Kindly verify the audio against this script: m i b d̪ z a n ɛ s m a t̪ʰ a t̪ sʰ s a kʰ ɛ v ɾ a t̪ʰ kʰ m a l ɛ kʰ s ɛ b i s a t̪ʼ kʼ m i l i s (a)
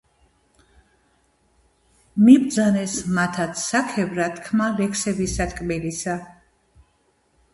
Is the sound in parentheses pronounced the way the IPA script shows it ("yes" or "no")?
yes